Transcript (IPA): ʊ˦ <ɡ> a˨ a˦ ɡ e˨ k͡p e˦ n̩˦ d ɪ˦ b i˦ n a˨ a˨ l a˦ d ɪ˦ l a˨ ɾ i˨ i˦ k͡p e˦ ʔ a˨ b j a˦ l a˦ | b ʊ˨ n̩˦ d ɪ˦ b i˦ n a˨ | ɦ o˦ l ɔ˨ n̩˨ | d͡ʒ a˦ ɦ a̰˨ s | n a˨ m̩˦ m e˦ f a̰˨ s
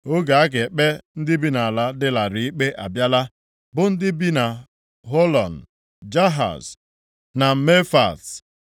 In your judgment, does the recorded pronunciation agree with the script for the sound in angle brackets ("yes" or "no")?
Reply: yes